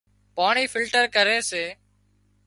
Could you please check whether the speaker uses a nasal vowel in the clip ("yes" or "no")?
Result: no